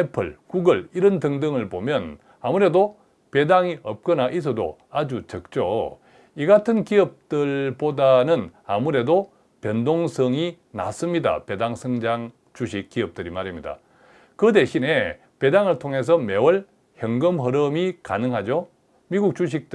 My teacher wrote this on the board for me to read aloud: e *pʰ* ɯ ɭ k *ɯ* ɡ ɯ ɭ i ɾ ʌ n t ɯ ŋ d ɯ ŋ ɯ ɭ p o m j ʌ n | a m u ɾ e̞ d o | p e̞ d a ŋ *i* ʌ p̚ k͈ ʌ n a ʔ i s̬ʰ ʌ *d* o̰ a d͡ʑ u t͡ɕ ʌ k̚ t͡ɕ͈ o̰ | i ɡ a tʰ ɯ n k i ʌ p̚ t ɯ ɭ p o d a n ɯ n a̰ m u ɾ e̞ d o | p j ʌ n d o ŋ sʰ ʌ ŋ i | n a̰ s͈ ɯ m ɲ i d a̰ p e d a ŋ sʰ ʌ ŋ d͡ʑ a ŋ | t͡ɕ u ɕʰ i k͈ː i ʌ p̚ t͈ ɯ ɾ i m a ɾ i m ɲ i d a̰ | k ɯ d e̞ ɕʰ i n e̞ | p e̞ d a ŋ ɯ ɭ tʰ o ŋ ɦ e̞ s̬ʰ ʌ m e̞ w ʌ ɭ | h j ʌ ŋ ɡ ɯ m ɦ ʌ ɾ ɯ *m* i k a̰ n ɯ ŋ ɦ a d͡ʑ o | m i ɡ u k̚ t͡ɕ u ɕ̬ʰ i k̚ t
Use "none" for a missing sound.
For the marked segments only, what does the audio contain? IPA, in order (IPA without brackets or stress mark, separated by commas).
pʰ, u, i, d, m